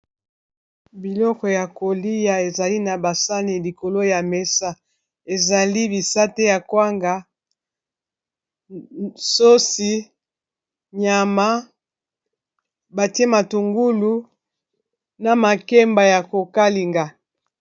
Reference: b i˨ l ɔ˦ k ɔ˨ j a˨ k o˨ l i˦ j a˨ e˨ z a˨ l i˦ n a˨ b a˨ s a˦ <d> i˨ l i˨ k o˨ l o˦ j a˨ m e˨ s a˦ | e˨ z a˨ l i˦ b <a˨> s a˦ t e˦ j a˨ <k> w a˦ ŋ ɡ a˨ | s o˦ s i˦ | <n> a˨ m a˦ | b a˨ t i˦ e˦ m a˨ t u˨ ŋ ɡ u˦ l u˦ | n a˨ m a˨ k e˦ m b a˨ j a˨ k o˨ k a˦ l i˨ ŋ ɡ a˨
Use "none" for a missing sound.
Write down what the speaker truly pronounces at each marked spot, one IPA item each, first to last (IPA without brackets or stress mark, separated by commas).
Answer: n, i˨, k, ɲ